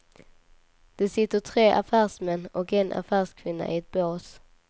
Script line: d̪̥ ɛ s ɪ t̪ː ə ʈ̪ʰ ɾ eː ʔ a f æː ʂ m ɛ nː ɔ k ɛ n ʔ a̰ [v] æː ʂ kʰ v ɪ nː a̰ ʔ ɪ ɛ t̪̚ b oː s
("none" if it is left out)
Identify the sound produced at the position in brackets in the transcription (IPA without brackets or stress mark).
f